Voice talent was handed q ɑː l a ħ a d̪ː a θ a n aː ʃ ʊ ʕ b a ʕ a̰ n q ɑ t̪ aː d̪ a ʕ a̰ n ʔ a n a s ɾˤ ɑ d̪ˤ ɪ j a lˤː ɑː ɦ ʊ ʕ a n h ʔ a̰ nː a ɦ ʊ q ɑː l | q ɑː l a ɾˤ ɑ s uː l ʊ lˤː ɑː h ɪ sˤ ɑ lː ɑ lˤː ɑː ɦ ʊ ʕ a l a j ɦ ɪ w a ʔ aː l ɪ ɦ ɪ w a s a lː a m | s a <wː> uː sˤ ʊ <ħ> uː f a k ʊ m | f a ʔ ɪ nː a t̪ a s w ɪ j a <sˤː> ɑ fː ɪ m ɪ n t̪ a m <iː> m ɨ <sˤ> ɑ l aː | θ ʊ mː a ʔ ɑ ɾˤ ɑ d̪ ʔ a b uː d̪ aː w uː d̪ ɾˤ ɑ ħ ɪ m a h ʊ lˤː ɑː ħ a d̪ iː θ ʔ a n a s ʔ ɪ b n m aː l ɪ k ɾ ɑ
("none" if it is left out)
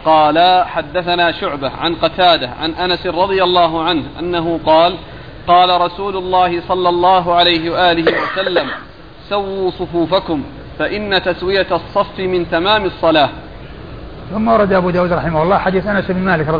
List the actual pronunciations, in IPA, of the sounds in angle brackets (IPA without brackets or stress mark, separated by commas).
wː, f, sˤː, aː, sˤː